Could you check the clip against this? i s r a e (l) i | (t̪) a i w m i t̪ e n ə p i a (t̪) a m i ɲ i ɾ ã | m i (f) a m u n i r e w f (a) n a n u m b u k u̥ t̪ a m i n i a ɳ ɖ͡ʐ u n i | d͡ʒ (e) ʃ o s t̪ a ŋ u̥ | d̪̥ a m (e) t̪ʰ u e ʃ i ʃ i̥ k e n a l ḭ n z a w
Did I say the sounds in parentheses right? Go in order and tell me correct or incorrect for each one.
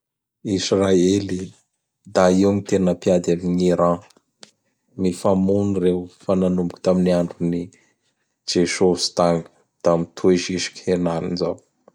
correct, incorrect: d̪, incorrect: d̪, correct, correct, correct, incorrect: i

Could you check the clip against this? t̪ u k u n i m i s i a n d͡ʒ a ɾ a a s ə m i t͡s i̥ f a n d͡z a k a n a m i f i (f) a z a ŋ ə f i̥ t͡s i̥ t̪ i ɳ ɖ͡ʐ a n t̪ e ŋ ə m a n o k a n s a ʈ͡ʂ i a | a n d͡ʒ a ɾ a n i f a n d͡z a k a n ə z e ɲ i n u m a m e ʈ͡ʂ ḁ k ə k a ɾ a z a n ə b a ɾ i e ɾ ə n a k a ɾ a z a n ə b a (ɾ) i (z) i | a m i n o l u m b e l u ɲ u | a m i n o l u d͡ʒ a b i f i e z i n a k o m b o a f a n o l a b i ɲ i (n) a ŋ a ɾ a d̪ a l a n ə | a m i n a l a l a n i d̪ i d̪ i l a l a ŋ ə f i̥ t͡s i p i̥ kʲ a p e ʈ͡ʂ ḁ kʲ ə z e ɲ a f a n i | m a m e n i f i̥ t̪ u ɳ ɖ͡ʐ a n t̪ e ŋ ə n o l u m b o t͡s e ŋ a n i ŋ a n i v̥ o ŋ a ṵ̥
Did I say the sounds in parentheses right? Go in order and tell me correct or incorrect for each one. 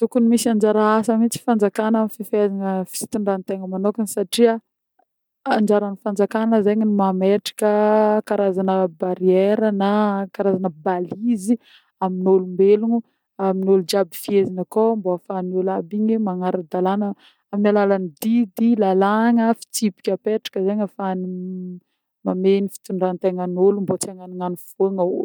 correct, incorrect: l, correct, incorrect: m

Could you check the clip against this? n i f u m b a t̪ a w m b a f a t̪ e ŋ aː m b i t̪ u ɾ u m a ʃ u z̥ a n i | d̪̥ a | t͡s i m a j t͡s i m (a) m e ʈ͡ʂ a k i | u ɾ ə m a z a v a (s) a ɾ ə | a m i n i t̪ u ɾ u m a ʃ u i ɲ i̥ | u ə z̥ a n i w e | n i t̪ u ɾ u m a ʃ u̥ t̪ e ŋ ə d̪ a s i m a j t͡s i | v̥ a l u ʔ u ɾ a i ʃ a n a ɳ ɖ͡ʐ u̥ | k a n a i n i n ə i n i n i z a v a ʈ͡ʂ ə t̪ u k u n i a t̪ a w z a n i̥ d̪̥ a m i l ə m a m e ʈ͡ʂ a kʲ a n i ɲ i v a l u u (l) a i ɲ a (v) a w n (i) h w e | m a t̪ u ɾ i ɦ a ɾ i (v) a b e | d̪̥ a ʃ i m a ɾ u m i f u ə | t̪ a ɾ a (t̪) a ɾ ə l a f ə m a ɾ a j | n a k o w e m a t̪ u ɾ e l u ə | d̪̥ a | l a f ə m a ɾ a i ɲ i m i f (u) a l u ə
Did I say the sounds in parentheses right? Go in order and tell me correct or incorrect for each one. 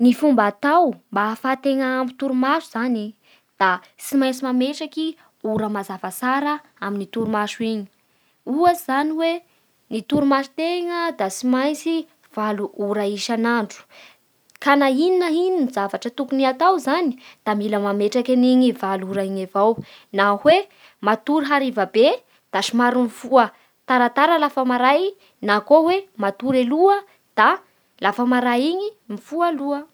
correct, correct, incorrect: ɾ, correct, incorrect: a, correct, correct, correct

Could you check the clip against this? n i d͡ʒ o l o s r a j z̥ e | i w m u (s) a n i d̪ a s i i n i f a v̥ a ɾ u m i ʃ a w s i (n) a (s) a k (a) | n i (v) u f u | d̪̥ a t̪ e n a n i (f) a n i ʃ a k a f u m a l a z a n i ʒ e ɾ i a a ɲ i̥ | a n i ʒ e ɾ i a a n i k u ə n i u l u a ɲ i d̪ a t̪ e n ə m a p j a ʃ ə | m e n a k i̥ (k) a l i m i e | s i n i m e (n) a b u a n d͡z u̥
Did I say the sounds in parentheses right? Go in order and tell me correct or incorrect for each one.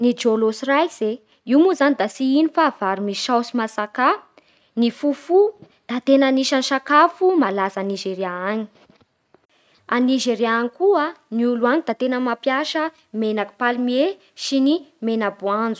incorrect: z, incorrect: m, correct, correct, incorrect: f, incorrect: ʃ, incorrect: p, correct

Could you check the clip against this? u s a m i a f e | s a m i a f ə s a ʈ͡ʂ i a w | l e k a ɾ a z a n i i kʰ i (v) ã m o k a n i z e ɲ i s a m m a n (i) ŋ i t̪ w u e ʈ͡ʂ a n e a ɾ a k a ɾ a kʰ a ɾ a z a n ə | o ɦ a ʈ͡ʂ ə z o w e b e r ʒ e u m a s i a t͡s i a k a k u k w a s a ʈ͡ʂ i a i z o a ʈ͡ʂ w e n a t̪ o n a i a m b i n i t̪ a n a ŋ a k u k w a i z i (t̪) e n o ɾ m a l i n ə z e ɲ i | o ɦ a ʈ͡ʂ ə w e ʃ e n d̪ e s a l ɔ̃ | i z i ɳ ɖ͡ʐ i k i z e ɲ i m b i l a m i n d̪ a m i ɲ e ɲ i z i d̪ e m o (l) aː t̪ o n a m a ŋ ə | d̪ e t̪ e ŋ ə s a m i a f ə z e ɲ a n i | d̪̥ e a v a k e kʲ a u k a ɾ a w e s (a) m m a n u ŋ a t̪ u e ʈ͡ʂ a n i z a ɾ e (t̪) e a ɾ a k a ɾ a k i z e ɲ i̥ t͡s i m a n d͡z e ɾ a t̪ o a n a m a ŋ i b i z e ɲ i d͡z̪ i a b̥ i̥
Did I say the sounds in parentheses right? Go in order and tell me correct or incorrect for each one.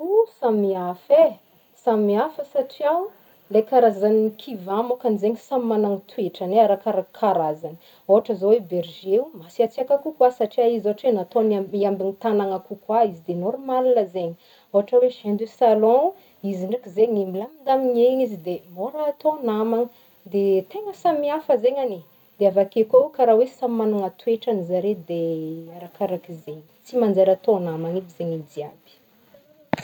correct, incorrect: a, incorrect: d̪, incorrect: ɾ, correct, incorrect: d̪

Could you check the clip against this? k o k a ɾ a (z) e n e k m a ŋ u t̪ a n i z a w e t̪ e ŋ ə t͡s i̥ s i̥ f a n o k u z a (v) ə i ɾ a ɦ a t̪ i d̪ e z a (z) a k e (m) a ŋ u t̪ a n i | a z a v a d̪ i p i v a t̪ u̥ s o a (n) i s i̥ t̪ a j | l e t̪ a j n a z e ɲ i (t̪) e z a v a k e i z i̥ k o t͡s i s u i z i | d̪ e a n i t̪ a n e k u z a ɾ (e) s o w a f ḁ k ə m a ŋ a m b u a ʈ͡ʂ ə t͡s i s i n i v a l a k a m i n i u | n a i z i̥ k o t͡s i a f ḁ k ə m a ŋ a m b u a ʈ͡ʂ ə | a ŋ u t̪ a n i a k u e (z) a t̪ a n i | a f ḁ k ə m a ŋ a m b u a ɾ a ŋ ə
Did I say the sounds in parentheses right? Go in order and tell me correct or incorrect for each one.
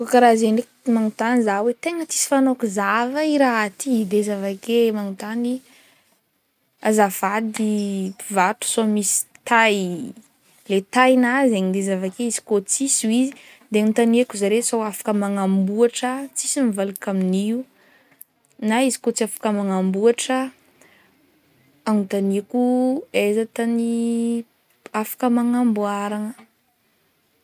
correct, correct, incorrect: v, correct, incorrect: m, incorrect: d̪, correct, correct

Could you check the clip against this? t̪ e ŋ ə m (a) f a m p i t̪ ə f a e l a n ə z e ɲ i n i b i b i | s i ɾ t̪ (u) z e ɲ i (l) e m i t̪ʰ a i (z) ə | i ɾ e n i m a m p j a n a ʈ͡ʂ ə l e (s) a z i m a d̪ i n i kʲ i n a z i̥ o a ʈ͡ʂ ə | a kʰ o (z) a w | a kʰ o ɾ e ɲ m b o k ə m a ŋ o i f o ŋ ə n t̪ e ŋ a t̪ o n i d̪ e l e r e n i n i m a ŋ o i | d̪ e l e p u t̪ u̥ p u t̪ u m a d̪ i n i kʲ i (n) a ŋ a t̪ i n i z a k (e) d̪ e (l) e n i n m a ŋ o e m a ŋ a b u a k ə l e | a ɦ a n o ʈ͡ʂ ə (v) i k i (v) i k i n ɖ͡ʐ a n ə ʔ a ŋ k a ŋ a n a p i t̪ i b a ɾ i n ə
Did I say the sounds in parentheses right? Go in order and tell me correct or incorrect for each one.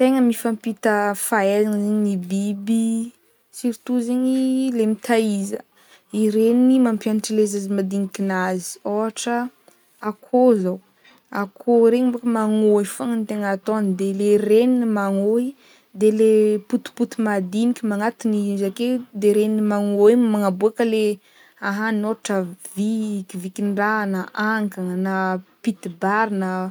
incorrect: i, correct, correct, correct, incorrect: z, correct, incorrect: m, correct, incorrect: ɾ, correct, correct

